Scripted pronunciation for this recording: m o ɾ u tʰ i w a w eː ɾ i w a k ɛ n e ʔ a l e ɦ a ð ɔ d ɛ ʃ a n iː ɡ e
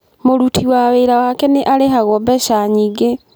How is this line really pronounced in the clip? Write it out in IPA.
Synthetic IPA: m o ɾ u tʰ i w a w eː ɾ a w a k ɛ n e ʔ a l e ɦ a ɣ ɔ b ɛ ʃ a ɲ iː ɡ e